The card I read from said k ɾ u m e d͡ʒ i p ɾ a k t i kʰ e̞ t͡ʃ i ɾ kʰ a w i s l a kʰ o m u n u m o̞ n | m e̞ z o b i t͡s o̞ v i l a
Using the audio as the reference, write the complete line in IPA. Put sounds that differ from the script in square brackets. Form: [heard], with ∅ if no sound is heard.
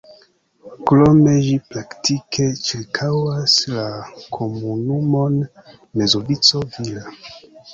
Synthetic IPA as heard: k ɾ [o] m e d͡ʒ i p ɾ a k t i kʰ e̞ t͡ʃ i ɾ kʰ a w [a] s l a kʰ o m u n u m o̞ n | m e̞ z o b i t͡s o̞ v i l a